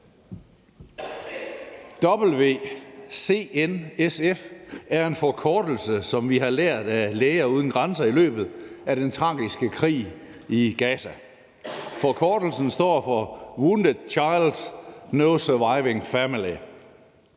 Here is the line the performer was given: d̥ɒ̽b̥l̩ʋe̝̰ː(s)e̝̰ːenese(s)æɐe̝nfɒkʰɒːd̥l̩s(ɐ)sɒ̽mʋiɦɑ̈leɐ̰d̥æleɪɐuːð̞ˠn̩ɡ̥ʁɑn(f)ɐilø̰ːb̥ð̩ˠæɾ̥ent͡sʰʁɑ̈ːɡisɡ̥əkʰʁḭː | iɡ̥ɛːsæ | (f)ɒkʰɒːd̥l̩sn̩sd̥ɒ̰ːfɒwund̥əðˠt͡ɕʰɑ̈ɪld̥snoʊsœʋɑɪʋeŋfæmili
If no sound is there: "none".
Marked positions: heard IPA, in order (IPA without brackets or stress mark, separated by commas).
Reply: s, f, ə, s, f